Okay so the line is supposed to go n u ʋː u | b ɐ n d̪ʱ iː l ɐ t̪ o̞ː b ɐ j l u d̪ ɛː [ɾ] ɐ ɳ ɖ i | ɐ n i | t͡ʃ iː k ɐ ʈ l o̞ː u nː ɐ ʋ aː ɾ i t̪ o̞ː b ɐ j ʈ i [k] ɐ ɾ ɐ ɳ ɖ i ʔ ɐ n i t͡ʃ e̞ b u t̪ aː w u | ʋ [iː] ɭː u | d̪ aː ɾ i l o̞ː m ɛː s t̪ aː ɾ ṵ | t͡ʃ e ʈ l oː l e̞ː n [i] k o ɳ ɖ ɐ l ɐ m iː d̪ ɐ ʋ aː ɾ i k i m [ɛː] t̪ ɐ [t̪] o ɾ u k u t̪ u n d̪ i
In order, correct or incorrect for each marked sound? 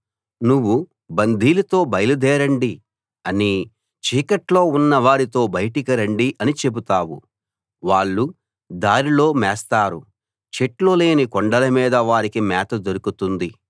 correct, correct, incorrect: aː, correct, correct, incorrect: d̪

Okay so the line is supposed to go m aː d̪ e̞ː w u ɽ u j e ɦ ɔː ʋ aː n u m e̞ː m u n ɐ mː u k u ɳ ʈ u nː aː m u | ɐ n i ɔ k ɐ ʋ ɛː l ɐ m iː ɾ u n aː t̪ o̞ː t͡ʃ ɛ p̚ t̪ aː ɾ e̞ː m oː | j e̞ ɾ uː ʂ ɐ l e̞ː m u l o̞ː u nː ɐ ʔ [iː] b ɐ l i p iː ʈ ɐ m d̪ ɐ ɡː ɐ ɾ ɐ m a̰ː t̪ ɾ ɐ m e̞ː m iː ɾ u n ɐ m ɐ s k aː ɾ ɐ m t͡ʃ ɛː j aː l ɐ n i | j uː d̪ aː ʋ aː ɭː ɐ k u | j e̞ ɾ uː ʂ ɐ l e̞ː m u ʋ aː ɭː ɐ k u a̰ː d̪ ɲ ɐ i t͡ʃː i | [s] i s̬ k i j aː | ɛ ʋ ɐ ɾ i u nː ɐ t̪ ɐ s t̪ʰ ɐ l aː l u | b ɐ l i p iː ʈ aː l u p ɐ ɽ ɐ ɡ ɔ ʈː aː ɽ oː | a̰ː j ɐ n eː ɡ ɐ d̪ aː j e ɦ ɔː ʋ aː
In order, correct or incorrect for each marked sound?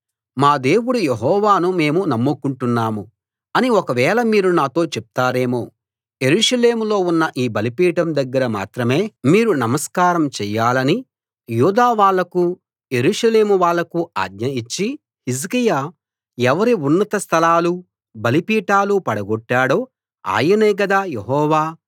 correct, incorrect: h

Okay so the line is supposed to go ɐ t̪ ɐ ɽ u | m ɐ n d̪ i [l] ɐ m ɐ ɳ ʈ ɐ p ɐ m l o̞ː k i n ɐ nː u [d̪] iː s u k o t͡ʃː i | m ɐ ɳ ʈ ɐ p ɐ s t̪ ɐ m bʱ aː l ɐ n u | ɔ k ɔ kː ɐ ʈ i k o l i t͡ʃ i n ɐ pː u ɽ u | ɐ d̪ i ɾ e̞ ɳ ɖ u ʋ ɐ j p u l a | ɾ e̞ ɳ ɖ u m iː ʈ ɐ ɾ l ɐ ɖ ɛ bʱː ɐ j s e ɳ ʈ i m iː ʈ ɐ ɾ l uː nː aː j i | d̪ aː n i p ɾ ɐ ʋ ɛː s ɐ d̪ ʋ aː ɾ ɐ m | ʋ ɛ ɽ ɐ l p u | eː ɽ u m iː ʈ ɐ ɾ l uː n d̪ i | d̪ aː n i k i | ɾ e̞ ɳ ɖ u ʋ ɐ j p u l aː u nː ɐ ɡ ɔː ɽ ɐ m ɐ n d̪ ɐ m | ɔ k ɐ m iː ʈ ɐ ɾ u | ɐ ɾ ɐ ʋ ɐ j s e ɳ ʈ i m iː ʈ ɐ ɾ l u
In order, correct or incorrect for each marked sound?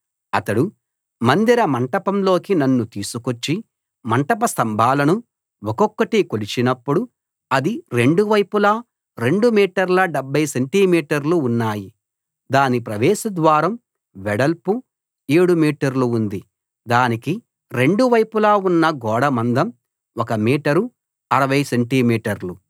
incorrect: ɾ, incorrect: t̪

